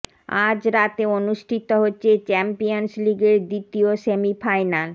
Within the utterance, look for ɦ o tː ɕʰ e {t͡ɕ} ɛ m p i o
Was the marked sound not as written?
no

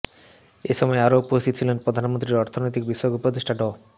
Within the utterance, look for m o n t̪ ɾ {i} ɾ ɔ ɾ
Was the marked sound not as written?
no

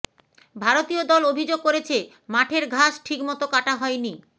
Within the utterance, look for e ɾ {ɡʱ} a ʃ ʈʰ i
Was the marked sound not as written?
no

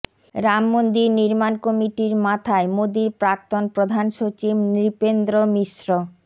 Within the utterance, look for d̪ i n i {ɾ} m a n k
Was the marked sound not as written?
no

